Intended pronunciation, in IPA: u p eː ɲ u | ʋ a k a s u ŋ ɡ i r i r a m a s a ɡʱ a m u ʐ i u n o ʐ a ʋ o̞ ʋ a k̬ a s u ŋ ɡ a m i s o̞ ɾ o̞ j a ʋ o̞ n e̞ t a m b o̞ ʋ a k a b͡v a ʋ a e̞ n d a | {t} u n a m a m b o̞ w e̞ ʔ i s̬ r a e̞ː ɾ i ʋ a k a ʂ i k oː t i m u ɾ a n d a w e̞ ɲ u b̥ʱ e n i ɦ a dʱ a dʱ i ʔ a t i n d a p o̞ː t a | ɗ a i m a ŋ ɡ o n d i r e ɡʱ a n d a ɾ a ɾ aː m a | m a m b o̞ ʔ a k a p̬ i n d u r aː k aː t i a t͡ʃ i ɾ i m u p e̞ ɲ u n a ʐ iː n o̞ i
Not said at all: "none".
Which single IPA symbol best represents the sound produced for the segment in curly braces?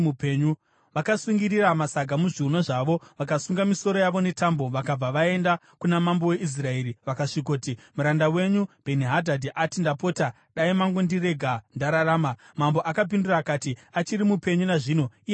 k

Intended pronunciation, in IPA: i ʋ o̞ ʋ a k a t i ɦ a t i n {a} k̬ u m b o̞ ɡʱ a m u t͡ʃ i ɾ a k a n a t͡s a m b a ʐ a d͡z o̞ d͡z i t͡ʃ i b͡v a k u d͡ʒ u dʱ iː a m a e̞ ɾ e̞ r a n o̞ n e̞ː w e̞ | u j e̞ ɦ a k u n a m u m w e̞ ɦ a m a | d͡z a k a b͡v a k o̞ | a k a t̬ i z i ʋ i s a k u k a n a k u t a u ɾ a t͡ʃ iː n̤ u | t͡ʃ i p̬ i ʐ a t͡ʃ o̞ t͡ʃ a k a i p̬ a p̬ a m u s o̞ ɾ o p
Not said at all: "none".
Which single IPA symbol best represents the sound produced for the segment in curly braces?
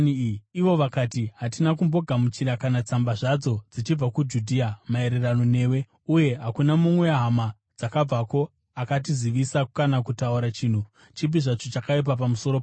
a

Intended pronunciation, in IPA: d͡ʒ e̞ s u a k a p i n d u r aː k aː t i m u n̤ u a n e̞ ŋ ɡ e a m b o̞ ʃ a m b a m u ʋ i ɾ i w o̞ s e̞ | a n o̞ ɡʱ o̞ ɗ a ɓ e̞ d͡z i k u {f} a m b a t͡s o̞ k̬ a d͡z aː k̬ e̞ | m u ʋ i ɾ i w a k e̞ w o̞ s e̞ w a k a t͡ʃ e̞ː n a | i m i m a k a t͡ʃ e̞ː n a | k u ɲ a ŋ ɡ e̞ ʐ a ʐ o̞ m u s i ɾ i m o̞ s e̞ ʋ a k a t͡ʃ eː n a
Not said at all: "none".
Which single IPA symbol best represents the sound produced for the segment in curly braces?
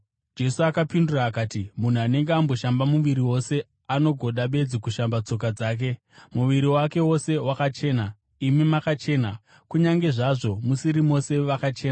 ʃ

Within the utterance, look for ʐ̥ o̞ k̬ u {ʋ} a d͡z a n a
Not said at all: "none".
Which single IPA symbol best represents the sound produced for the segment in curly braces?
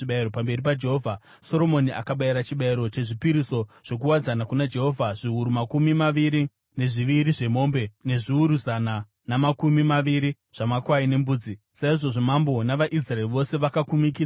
w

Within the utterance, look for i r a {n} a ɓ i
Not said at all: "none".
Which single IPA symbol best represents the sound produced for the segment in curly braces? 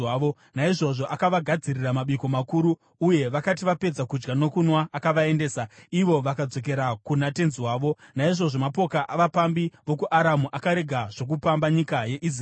m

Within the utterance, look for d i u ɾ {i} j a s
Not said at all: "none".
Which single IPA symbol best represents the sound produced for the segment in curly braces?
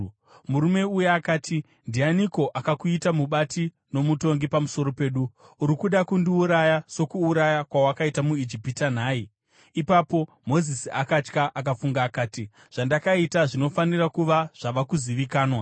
a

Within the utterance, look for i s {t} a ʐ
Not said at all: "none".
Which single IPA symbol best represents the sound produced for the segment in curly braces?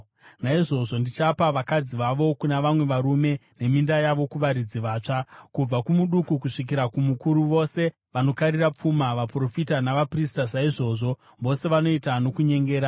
t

